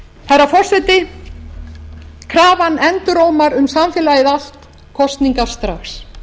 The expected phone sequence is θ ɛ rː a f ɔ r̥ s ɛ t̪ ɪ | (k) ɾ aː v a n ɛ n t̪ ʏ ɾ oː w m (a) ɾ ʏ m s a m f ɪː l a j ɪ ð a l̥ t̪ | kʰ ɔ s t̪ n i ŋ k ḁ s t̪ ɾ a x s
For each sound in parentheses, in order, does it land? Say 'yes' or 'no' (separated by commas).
no, yes